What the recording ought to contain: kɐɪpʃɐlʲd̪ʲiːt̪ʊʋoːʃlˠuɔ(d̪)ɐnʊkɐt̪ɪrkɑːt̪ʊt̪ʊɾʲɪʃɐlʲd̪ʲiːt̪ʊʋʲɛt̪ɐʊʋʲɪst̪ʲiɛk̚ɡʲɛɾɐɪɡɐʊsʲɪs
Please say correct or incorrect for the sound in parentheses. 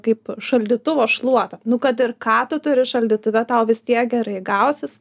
incorrect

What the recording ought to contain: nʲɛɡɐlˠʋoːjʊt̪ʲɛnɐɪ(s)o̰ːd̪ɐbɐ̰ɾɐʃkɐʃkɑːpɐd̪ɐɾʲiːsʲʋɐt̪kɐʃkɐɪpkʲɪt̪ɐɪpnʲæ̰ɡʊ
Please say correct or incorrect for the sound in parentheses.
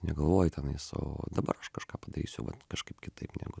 correct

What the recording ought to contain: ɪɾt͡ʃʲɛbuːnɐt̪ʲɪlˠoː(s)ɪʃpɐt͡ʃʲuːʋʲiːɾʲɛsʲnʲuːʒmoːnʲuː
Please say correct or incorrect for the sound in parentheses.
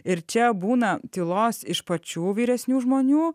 correct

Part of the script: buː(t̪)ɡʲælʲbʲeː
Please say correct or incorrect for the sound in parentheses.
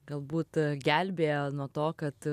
correct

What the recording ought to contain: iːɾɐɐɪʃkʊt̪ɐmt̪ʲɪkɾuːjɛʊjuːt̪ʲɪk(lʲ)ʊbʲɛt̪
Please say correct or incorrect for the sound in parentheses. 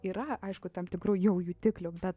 correct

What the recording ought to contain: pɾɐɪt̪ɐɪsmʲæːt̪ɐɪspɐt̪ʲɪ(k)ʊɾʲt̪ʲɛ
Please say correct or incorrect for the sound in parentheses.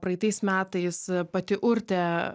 incorrect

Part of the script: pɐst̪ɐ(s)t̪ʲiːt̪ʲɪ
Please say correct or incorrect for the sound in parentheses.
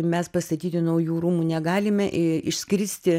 incorrect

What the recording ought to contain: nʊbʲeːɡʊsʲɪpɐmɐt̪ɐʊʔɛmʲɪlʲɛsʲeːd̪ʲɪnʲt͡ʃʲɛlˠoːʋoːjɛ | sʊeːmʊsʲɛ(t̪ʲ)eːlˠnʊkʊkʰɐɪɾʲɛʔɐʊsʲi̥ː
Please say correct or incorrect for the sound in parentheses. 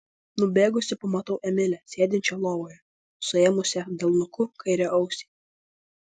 incorrect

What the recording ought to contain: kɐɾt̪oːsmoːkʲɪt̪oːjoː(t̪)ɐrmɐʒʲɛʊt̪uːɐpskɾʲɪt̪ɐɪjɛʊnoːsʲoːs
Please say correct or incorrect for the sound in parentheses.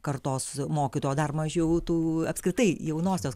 incorrect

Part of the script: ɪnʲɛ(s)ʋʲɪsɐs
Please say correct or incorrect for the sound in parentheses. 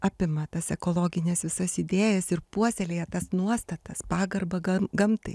correct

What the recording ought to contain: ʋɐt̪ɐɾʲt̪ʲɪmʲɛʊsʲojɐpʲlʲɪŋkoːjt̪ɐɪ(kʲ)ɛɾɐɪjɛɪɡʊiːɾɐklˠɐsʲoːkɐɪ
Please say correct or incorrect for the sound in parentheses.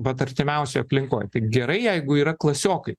incorrect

